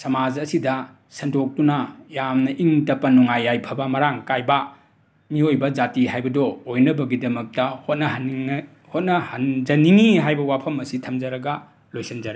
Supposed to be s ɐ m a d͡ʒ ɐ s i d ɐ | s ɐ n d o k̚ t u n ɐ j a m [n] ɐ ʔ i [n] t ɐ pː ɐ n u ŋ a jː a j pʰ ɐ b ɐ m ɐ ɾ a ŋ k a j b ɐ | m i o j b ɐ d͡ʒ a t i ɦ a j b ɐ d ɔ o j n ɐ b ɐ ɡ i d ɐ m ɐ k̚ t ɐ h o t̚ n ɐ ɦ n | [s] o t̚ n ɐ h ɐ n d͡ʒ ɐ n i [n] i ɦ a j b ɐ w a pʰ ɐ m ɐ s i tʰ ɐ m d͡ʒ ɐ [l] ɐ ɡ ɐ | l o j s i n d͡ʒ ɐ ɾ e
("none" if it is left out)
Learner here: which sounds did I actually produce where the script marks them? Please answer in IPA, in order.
n, ŋ, h, ŋ, ɾ

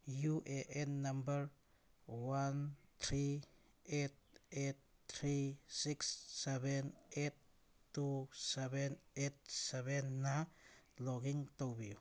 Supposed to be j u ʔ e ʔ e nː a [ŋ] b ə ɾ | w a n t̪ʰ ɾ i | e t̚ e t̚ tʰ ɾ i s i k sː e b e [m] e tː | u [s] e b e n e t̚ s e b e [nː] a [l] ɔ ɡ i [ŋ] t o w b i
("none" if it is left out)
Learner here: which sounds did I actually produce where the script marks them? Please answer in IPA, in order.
m, n, s, nː, l, ŋ

